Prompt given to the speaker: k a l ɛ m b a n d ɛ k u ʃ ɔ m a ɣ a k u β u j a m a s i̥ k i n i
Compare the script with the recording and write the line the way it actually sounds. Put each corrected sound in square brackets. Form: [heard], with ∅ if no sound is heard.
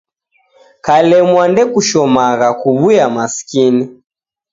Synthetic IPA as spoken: k a l ɛ m [w] a n d ɛ k u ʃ ɔ m a ɣ a k u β u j a m a s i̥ k i n i